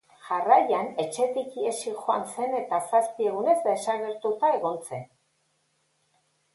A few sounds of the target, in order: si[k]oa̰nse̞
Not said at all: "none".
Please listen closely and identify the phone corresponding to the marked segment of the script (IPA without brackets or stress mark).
x